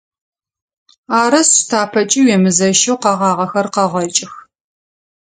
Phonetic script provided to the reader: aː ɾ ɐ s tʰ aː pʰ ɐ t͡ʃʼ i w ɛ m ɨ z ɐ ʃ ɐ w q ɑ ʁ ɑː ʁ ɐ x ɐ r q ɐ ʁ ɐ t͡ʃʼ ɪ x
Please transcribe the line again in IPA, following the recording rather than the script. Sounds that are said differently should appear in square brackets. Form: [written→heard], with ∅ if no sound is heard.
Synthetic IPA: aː ɾ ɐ s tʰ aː pʰ ɐ t͡ʃʼ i w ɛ m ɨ z ɐ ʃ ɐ w q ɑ ʁ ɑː ʁ ɐ x ɐ r q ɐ ʁ ɐ t͡ʃʼ ɪ x